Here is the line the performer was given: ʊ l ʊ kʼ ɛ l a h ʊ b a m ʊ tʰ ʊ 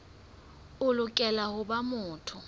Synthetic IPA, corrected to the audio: ʊ l ʊ kʼ ɛ l a h ʊ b a m ʊː tʰ ʊ